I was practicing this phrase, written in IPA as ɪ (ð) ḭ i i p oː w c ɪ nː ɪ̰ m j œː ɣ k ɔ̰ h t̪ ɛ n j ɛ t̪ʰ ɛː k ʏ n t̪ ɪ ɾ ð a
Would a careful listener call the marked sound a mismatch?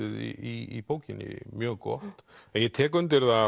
no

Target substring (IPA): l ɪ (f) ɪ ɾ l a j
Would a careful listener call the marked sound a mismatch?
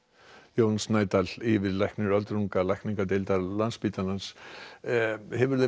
yes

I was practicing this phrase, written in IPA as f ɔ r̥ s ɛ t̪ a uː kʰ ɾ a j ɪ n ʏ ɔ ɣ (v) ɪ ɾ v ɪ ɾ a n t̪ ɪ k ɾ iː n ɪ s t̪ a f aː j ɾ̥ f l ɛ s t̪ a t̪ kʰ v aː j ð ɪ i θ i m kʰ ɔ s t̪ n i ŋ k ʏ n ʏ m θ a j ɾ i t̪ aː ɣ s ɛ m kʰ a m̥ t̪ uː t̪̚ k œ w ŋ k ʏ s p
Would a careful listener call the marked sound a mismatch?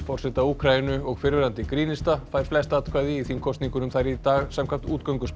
yes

